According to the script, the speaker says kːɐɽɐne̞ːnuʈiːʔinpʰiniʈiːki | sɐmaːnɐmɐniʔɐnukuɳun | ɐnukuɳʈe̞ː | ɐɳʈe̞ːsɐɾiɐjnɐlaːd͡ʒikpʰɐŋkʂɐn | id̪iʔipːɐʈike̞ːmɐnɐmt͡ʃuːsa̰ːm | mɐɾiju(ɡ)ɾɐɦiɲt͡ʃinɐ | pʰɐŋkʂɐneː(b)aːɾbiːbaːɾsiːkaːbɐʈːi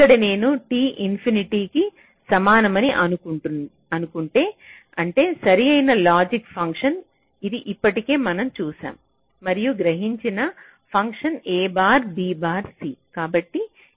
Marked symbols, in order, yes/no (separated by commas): yes, yes